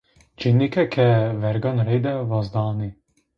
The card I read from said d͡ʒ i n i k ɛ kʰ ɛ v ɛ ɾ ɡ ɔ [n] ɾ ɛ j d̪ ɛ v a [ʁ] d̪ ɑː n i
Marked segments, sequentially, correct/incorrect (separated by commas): correct, incorrect